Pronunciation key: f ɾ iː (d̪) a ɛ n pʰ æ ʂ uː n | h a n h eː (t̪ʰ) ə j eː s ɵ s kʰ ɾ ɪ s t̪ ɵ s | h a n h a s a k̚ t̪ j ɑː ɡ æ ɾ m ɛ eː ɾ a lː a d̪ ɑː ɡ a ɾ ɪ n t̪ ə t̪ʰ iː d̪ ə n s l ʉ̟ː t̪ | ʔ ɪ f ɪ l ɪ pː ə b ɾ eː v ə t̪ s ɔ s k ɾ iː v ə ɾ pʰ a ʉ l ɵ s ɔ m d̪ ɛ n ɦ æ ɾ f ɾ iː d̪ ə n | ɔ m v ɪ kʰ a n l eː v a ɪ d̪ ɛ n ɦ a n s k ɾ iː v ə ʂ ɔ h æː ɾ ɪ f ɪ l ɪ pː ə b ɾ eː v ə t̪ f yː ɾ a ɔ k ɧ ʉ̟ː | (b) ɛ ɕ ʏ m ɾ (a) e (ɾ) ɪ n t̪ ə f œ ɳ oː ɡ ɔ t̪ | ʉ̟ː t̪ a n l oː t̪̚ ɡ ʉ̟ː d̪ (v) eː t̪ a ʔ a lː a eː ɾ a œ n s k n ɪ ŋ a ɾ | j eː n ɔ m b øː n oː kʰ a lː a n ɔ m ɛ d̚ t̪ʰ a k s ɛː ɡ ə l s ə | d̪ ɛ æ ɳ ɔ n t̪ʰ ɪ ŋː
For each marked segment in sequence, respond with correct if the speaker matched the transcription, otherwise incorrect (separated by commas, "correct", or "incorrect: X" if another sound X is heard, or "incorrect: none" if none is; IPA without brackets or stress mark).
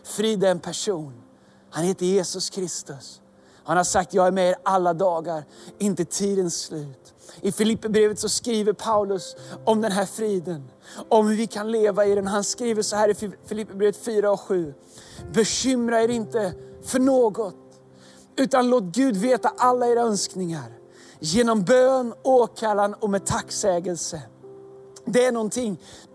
correct, incorrect: t̪, correct, correct, correct, correct